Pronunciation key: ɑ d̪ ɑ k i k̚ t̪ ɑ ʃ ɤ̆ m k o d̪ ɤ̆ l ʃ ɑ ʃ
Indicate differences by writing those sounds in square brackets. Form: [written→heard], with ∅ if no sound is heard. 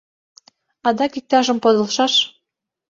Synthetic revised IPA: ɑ d̪ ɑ k i k̚ t̪ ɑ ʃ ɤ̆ m [k→p] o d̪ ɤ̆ l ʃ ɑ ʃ